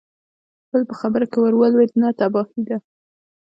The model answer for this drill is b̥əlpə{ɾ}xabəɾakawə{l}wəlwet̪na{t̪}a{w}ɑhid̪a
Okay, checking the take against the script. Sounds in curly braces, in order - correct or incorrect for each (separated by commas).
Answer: incorrect, incorrect, correct, incorrect